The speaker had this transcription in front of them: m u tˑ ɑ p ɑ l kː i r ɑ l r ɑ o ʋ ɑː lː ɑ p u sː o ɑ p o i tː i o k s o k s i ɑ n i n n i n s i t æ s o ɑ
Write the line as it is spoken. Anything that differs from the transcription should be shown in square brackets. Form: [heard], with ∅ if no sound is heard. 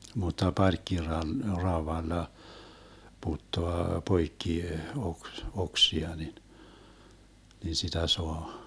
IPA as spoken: m u tˑ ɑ p ɑ [r] kː i r ɑ l r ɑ o ʋ [ɑ] lː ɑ p u [tː] o ɑ p o i [kː] i o k s o k s i ɑ n i n n i n s i t æ s o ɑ